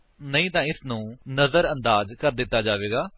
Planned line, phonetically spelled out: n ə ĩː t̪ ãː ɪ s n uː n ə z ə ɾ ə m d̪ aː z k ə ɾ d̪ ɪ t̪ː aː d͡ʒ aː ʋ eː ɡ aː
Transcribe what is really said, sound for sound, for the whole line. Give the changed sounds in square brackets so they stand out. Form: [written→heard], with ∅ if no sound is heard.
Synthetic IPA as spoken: n ə ĩː t̪ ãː ɪ s n [uː→ũː] n ə z ə ɾ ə [m→n] d̪ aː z k ə ɾ d̪ ɪ t̪ː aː d͡ʒ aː ʋ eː ɡ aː